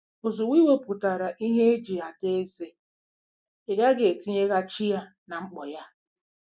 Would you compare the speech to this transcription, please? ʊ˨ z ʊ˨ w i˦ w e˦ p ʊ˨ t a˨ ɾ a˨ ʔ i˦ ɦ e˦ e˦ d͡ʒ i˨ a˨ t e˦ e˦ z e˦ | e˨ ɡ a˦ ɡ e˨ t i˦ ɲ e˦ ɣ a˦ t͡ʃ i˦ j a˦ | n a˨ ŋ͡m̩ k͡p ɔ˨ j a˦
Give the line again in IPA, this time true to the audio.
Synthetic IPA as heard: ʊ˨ z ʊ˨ w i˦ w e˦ p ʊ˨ t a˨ ɾ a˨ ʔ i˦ ɦ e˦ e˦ d͡ʒ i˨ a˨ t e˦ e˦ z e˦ | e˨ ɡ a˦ ɡ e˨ t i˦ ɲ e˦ ɣ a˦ t͡ʃ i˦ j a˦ | n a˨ ŋ͡m̩ k͡p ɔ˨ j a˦